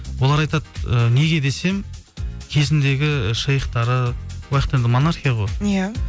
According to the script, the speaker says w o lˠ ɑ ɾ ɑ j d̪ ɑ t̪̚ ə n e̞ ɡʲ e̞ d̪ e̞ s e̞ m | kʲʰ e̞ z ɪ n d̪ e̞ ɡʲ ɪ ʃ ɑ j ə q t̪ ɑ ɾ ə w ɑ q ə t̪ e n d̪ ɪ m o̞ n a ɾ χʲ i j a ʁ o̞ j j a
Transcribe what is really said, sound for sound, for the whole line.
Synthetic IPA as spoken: w o lˠ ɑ ɾ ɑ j t̪ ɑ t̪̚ ə n e̞ ɡʲ e̞ d̪ e̞ s e̞ m | kʲʰ e̞ z ɪ n d̪ e̞ ɡʲ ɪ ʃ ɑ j ə q t̪ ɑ ɾ ə w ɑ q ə t̪ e n d̪ ɪ m o̞ n a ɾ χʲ i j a ʁ o̞ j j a